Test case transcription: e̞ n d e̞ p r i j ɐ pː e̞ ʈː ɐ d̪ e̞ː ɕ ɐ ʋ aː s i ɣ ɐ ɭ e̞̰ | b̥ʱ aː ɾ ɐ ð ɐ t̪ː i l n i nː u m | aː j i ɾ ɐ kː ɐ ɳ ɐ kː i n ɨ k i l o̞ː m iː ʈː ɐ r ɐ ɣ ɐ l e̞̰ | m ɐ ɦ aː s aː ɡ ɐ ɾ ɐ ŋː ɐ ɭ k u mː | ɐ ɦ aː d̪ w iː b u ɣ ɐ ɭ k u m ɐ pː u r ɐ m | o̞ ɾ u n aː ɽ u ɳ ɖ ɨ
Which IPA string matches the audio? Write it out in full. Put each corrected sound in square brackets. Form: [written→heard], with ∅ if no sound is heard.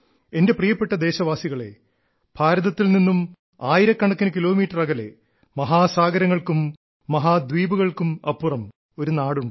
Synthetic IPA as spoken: e̞ n d e̞ p r i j ɐ pː e̞ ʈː ɐ d̪ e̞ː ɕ ɐ ʋ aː s i ɣ ɐ ɭ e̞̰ | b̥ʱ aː ɾ ɐ ð ɐ t̪ː i l n i nː u m | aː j i ɾ ɐ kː ɐ ɳ ɐ kː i n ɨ k i l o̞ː m iː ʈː ɐ r ɐ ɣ ɐ l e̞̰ | m ɐ ɦ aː s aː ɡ ɐ ɾ ɐ ŋː ɐ ɭ k u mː | ɐ ɦ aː d̪ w iː b u ɣ ɐ ɭ k u m ɐ pː u r ɐ m | o̞ ɾ u n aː ɽ u ɳ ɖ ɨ